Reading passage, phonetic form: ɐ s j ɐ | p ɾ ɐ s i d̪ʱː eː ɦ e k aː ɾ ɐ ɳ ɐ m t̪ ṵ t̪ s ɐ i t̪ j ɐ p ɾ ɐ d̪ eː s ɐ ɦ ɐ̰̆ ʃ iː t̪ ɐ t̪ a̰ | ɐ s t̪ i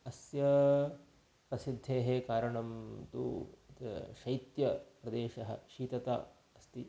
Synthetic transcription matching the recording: ɐ s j ɐ | p ɾ ɐ s i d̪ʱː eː ɦ e k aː ɾ ɐ ɳ ɐ m t̪ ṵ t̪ ʃ ɐ j t̪ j ɐ p ɾ ɐ d̪ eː ʃ ɐ ɦ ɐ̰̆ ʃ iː t̪ ɐ t̪ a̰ | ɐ s t̪ i